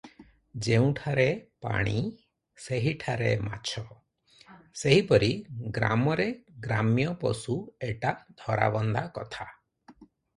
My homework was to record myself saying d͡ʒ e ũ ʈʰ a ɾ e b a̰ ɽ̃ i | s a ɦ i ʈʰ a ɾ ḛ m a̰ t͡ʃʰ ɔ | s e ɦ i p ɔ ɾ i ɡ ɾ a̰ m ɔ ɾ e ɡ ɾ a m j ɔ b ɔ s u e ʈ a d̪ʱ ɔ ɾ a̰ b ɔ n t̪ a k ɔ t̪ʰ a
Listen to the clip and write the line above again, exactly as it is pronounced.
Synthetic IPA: d͡ʒ e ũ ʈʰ a ɾ e p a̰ ɽ̃ i | s e ɦ i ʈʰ a ɾ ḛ m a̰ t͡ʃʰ ɔ | s e ɦ i p ɔ ɾ i ɡ ɾ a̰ m ɔ ɾ e ɡ ɾ a m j ɔ p ɔ s u e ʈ a d̪ʱ ɔ ɾ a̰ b ɔ n d̪ a k ɔ t̪ʰ a